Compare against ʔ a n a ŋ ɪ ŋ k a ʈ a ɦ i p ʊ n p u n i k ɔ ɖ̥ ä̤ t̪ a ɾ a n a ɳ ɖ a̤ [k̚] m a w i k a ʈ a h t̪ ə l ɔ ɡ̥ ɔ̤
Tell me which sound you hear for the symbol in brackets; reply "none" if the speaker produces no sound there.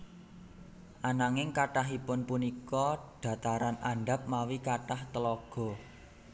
p̚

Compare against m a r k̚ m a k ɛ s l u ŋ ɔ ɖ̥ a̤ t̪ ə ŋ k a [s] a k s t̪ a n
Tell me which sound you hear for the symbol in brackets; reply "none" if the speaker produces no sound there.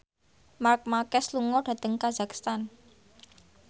z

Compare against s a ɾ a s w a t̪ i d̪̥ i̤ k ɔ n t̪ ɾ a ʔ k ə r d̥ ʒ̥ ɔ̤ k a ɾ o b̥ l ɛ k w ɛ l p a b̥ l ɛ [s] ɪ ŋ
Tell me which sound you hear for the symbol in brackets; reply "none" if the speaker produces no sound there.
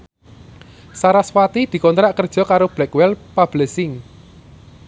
s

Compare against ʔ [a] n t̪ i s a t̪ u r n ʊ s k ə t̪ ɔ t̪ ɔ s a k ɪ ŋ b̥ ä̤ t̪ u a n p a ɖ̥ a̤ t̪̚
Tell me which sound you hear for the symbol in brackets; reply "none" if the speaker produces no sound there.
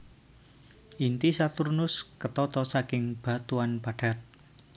i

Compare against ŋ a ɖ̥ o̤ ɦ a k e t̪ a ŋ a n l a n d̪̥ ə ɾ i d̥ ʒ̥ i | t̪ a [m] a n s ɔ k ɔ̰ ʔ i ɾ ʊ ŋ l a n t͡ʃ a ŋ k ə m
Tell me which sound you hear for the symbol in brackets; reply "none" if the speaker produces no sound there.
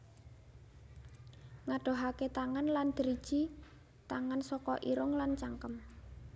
ŋ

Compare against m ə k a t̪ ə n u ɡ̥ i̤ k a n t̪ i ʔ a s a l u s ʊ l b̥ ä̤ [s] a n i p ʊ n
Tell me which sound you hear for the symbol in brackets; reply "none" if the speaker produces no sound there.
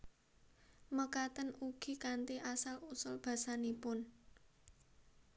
s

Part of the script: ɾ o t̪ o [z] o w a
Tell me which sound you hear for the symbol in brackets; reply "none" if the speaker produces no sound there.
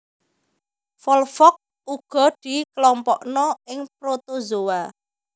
z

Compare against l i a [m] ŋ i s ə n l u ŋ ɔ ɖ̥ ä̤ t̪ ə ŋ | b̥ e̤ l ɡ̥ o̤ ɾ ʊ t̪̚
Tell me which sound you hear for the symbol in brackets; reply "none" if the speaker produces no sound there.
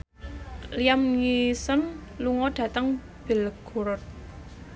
m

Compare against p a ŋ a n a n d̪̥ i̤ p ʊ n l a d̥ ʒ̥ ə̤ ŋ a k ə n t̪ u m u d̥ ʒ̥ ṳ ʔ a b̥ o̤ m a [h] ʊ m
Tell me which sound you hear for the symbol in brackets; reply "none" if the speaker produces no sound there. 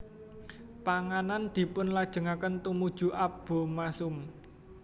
s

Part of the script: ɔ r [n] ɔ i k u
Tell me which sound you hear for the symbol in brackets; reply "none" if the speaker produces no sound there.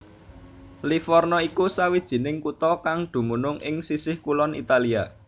n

